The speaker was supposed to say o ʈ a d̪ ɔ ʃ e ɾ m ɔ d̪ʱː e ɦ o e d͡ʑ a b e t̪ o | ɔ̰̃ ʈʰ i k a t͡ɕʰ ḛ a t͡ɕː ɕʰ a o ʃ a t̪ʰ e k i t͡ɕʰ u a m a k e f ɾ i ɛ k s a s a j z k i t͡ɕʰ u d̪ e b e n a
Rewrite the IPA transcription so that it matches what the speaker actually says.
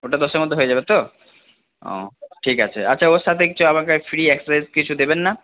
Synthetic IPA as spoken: o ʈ a d̪ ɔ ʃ e ɾ m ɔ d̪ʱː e ɦ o e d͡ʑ a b e t̪ o | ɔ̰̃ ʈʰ i k a t͡ɕʰ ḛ a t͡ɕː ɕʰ a o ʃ a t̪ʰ e k i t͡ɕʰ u a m a k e f ɾ i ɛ k s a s a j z k i t͡ɕʰ u d̪ e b e nː a